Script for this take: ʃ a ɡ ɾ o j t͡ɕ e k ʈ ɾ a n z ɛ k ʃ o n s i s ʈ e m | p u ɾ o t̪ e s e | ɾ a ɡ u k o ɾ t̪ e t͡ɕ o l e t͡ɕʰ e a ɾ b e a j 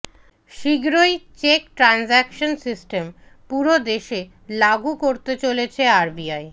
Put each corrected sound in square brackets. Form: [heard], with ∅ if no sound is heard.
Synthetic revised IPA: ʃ [i] ɡ ɾ o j t͡ɕ e k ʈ ɾ a n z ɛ k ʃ o n s i s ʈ e m | p u ɾ o [d̪] e [ʃ] e | [l] a ɡ u k o ɾ t̪ e t͡ɕ o l e t͡ɕʰ e a ɾ b [i] a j